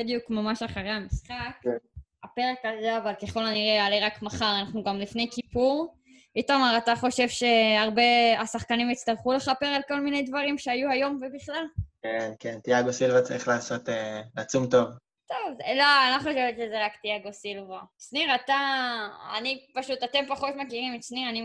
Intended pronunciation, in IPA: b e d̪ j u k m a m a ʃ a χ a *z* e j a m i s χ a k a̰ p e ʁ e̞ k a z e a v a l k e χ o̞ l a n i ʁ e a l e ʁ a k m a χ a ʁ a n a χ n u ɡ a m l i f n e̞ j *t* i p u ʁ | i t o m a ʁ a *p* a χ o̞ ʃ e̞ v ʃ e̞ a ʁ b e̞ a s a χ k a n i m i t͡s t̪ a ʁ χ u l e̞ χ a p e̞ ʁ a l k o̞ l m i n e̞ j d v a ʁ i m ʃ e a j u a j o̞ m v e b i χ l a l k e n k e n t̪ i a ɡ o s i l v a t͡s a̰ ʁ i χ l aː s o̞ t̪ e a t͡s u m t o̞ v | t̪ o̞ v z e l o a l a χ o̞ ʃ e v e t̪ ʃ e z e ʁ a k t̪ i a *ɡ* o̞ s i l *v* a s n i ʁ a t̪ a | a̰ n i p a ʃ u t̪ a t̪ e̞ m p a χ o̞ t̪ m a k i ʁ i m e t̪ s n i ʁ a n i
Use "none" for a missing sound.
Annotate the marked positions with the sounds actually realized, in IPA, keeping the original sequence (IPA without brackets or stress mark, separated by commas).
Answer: ʁ, k, t, ɡ, v